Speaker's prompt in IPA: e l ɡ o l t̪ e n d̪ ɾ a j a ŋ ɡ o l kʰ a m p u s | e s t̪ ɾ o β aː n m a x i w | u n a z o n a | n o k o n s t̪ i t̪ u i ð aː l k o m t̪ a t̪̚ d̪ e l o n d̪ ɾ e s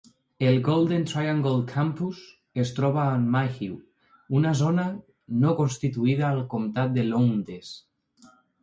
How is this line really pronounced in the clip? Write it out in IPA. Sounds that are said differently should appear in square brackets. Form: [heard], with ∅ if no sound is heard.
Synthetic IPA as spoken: e l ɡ o l [d̪] e n [t̪] ɾ a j a ŋ ɡ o l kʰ a m p u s | e s t̪ ɾ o β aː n m a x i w | u n a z o n a | n o k o n s t̪ i t̪ u i ð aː l k o m t̪ a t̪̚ d̪ e l o n d̪ ɾ e s

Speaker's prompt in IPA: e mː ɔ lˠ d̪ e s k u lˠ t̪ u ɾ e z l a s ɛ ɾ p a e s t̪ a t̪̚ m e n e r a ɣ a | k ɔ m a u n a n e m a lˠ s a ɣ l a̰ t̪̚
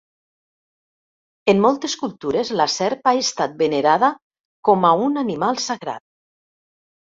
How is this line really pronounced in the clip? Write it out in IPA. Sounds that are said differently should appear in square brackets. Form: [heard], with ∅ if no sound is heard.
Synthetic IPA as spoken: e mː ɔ lˠ [t̪] e s k u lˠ t̪ u ɾ e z l a s ɛ ɾ p a e s t̪ a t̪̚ [b] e n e [ɾ] a [ð] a | k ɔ m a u n a n [i] m a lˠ s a ɣ [ɾ] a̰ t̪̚

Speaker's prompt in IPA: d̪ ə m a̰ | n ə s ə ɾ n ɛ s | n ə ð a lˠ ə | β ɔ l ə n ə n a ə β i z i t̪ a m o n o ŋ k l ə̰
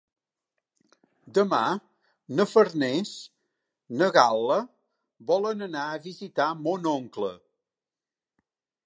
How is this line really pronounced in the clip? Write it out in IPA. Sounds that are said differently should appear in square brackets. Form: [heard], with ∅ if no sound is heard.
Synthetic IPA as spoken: d̪ ə m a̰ | n ə [f] ə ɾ n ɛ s | n ə [ɣ] a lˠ ə | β ɔ l ə n ə n a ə β i z i t̪ a m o n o ŋ k l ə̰

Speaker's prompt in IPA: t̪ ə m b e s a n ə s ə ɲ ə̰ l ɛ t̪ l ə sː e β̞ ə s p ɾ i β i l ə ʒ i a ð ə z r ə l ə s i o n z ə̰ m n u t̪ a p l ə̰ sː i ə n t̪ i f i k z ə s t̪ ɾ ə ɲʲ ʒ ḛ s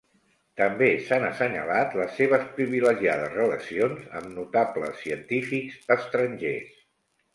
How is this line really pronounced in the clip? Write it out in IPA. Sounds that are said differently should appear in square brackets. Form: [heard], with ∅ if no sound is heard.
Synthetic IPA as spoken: t̪ ə m b e s a n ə s ə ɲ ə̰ l [a] t̪ l ə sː e β̞ ə s p ɾ i β i l ə ʒ i a ð ə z r ə l ə s i o n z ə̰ m n u t̪ a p l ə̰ sː i ə n t̪ i f i k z ə s t̪ ɾ ə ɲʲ ʒ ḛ s

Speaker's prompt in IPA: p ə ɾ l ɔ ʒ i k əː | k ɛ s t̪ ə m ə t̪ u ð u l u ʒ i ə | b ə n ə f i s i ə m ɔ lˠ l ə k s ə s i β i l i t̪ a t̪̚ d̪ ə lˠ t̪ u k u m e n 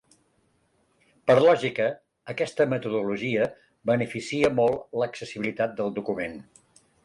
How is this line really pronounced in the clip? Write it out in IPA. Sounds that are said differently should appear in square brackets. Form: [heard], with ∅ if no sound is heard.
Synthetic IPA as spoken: p ə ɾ l ɔ ʒ i k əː | k ɛ s t̪ ə m ə t̪ u ð u l u ʒ i ə | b ə n ə f i s i ə m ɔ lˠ l ə k s ə s i β i l i t̪ a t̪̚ d̪ ə lˠ [d̪] u k u m e n

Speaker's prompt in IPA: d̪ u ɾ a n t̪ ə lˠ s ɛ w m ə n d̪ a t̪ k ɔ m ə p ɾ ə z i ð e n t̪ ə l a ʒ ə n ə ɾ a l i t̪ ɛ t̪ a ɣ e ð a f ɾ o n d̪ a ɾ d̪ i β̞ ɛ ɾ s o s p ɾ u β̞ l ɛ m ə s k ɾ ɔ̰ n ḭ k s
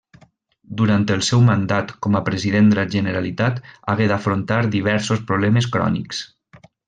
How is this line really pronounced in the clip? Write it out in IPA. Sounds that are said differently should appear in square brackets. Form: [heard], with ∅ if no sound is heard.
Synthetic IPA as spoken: d̪ u ɾ a n t̪ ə lˠ s ɛ w m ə n d̪ a t̪ k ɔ m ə p ɾ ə z i ð e n [d̪] ə l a ʒ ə n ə ɾ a l i t̪ [a] t̪ a ɣ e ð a f ɾ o n [t̪] a ɾ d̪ i β̞ ɛ ɾ s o s p ɾ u β̞ l ɛ m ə s k ɾ ɔ̰ n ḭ k s

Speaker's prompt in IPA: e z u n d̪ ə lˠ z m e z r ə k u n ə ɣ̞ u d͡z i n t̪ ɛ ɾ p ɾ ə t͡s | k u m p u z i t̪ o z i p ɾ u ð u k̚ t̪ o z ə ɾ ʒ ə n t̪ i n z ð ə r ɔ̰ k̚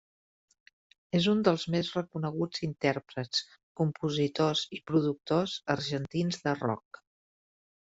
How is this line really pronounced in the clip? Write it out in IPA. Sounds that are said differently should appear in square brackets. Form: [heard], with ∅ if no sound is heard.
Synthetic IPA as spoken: e z u n d̪ ə lˠ z m e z r ə k u n ə ɣ̞ u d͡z i n t̪ ɛ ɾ p ɾ ə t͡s | k u m p u z i t̪ o z i p ɾ u ð u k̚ t̪ o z ə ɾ ʒ ə n t̪ i n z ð ə r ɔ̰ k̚

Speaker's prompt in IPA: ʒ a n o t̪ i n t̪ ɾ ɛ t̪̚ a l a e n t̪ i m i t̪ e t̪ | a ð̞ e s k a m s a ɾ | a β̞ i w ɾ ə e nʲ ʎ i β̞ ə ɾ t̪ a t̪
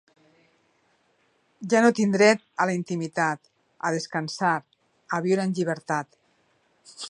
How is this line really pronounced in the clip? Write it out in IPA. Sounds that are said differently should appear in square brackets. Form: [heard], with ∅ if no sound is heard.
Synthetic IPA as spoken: ʒ a n o t̪ i n [d̪] ɾ ɛ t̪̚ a l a [i] n t̪ i m i t̪ [a] t̪ | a ð̞ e s k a [n] s a ɾ | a β̞ i w ɾ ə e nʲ ʎ i β̞ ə ɾ t̪ a t̪

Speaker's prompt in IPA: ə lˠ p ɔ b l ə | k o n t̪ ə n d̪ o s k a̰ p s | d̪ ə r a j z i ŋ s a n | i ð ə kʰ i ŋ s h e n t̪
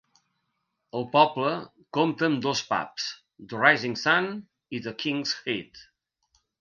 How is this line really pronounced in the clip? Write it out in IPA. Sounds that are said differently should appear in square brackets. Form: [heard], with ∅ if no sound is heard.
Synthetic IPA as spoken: ə lˠ p ɔ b l ə | k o [m] t̪ ə n d̪ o s [p] a̰ p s | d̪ ə r a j z i ŋ s a n | i ð ə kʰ i ŋ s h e [∅] t̪

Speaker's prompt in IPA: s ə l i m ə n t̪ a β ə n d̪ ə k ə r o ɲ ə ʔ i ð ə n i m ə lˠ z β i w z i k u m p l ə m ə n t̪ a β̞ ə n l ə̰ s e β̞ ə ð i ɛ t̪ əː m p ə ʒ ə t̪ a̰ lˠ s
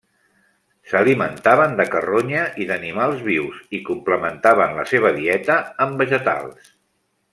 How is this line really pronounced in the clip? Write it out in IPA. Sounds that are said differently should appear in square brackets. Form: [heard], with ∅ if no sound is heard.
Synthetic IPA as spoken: s ə l i m ə n t̪ a β ə n d̪ ə k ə r o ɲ ə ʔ i ð ə n i m [a] lˠ z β i w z i k u m p l ə m ə n t̪ a β̞ ə n l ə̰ s e β̞ ə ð i ɛ t̪ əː m [b] ə ʒ ə t̪ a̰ lˠ s

